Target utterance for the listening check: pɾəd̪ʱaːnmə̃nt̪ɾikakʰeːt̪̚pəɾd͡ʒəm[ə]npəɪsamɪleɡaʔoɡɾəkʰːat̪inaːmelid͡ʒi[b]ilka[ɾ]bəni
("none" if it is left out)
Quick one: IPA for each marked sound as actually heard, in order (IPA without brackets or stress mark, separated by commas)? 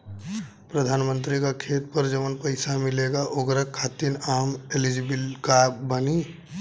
ə, b, none